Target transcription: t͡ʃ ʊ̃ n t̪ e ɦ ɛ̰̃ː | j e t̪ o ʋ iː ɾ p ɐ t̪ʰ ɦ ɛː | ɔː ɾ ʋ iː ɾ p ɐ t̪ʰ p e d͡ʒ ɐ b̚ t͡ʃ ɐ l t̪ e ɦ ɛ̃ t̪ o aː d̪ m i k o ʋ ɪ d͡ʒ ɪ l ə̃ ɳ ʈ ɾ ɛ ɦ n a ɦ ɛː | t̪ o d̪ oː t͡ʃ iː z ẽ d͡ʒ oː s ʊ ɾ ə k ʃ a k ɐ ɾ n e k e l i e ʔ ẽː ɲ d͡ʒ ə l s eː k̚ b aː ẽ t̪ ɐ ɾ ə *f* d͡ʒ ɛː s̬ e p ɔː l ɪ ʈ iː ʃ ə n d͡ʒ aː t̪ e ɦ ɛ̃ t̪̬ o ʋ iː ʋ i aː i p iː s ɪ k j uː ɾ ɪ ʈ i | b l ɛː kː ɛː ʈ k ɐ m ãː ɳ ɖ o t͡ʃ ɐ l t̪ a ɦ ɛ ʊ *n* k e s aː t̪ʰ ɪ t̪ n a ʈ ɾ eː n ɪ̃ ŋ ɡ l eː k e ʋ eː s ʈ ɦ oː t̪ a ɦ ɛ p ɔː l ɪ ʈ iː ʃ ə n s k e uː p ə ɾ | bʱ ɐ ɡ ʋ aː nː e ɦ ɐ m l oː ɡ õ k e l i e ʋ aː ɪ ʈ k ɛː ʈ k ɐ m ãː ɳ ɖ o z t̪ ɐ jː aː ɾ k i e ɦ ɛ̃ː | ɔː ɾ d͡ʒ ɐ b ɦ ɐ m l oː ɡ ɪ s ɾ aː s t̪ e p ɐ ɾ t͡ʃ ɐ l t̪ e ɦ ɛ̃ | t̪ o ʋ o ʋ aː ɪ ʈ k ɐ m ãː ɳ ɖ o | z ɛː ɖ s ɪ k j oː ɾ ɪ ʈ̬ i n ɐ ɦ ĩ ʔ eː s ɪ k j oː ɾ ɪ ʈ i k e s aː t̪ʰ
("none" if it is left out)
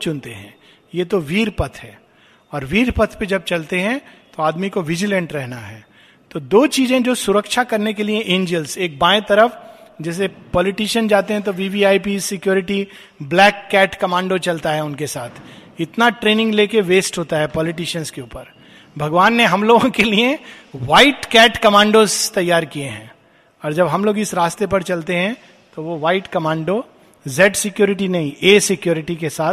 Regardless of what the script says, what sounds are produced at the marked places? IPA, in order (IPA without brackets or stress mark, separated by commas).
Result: f, n